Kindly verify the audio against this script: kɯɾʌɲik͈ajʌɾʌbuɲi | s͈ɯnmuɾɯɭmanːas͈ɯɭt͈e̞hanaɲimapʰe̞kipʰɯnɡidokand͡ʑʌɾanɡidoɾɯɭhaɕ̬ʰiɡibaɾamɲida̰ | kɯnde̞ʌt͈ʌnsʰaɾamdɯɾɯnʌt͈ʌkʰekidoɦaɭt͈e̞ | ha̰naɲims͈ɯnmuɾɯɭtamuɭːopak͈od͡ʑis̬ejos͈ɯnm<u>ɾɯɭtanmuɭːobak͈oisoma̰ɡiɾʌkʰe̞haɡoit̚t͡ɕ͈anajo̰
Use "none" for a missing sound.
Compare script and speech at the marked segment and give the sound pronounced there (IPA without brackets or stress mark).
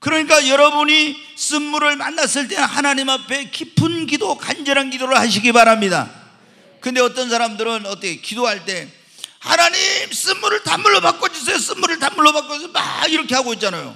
u